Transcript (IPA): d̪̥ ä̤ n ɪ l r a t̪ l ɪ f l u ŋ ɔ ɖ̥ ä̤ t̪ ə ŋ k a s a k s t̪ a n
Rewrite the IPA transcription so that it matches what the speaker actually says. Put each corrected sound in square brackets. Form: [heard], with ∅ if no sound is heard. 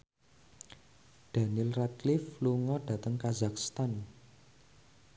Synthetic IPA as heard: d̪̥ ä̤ n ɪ l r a t̪ l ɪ f l u ŋ ɔ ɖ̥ ä̤ t̪ ə ŋ k a [z] a k s t̪ a n